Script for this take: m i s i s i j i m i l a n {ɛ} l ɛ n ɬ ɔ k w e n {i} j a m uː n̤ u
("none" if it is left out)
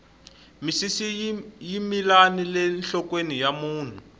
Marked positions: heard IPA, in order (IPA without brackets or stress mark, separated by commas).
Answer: i, i